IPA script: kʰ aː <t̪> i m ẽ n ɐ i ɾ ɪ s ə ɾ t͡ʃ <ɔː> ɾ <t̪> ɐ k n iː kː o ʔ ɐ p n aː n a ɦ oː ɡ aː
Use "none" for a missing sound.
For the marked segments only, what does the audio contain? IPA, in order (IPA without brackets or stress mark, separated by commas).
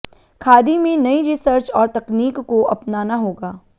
d̪, ɔː, t̪